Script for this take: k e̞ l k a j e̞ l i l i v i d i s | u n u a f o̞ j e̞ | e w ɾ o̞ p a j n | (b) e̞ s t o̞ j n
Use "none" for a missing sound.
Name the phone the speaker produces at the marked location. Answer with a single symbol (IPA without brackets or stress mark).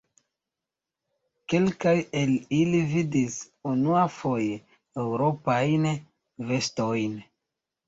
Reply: v